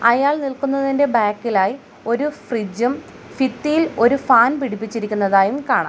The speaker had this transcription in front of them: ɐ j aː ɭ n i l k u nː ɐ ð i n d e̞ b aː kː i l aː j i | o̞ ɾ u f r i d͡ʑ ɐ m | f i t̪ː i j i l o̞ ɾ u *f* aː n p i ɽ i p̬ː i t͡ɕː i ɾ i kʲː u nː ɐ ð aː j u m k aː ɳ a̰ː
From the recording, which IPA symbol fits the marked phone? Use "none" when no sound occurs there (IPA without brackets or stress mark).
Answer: f